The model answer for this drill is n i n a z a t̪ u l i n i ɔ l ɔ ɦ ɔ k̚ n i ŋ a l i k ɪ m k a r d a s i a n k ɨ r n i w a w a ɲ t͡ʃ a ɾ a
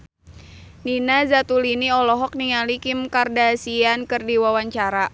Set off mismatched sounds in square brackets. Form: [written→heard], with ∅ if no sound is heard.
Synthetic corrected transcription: n i n a z a t̪ u l i n i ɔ l ɔ ɦ ɔ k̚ n i ŋ a l i k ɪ m k a r d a s i a n k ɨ r [n→d] i w a w a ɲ t͡ʃ a ɾ a